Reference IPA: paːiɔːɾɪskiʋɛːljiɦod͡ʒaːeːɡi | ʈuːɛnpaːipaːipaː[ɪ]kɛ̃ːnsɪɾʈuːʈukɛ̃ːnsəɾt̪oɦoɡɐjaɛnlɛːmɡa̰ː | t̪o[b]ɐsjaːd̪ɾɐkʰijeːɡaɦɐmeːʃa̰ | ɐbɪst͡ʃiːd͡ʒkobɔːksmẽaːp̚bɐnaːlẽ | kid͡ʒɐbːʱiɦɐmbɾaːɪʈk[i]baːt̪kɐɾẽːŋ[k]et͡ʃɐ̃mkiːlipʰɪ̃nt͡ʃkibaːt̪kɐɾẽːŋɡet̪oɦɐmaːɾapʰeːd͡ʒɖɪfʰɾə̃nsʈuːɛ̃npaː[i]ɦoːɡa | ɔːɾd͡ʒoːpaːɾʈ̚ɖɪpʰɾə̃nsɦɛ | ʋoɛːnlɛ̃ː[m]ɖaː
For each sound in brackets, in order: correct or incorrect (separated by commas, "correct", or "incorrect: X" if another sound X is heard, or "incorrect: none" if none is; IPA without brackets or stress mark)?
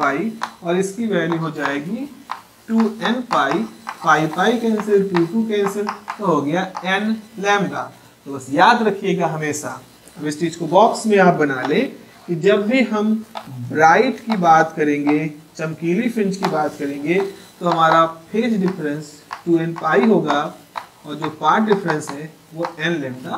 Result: incorrect: i, correct, correct, incorrect: ɡ, correct, correct